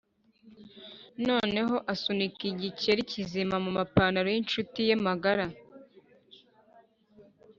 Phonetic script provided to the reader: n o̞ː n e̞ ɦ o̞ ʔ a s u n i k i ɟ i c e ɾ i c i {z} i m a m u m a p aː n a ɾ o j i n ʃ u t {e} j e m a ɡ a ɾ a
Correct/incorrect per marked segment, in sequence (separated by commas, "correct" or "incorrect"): correct, incorrect